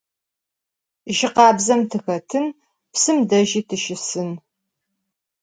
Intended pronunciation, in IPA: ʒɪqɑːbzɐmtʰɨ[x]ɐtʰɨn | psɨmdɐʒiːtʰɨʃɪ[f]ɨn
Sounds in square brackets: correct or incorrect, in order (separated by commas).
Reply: correct, incorrect